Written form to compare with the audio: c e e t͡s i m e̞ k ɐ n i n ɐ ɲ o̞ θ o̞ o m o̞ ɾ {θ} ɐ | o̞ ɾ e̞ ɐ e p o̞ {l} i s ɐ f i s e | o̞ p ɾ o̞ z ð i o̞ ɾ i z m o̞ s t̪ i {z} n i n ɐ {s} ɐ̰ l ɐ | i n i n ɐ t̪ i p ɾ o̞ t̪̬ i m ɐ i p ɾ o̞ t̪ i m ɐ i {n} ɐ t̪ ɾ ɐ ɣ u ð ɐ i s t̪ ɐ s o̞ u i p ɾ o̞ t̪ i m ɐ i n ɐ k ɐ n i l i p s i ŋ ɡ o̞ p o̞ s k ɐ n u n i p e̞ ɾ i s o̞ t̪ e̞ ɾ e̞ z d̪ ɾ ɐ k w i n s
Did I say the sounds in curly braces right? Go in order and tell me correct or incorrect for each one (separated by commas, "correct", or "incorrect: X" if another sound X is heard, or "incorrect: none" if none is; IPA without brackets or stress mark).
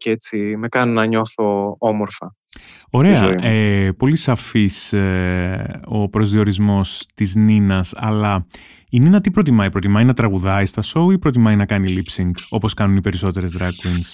incorrect: f, correct, correct, correct, correct